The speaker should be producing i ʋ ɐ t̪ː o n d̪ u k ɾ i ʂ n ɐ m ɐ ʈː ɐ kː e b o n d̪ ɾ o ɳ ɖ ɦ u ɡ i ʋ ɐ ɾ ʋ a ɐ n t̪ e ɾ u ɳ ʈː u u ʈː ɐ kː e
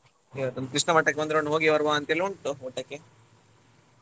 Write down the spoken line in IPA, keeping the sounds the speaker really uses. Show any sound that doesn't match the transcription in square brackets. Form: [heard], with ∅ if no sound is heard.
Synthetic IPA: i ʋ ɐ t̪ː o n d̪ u k ɾ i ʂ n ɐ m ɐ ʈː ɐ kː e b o n d̪ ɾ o ɳ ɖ ɦ [o] ɡ i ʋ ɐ ɾ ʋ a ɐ n t̪ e [l] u ɳ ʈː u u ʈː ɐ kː e